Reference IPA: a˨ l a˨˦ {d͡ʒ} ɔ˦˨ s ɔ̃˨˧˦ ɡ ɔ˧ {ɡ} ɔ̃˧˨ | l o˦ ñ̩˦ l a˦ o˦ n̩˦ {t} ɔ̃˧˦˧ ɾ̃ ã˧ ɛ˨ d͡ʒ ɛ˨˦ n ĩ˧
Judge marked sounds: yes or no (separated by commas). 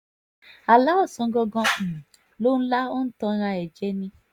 no, yes, yes